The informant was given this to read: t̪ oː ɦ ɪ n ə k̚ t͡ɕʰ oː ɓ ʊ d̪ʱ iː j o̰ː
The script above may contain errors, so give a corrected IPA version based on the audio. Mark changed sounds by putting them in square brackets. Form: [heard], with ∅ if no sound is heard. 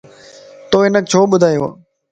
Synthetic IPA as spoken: t̪ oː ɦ ɪ n ə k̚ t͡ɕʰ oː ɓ ʊ d̪ʱ [aː] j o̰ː